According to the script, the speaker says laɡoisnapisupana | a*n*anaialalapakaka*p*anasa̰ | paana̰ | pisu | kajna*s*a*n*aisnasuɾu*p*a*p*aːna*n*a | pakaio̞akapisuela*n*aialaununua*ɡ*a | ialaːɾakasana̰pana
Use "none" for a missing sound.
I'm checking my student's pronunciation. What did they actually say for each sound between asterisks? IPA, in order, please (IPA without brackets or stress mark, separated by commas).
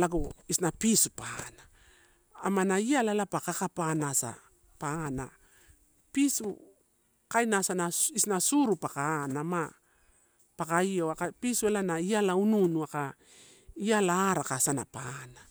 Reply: m, p, s, n, p, k, m, n, k